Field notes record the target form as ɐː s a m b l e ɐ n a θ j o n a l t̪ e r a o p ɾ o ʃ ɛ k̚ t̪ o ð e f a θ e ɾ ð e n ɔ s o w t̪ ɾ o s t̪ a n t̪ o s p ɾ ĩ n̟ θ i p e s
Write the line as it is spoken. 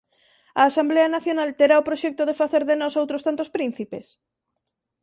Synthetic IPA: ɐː s a m b l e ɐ n a θ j o n a l t̪ e ɾ a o p ɾ o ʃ ɛ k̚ t̪ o ð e f a θ e ɾ ð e n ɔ s o w t̪ ɾ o s t̪ a n t̪ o s p ɾ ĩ n̟ θ i p e s